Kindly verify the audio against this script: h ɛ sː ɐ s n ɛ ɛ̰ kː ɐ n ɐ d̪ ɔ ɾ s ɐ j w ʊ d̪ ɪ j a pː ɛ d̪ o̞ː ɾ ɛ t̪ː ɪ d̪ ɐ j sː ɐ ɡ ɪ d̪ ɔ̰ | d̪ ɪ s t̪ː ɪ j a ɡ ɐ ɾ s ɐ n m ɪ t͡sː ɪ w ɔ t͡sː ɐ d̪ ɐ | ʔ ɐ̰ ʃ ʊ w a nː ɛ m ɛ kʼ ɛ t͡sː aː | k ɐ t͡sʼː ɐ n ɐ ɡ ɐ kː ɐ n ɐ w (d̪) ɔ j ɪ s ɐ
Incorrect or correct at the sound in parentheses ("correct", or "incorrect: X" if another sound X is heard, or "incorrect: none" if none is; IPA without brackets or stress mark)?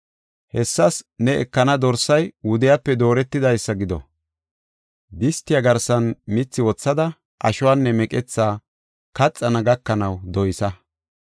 correct